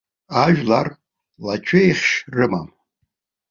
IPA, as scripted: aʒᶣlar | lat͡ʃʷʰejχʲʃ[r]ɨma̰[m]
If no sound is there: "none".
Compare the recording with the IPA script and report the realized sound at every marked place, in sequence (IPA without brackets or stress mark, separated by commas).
r, m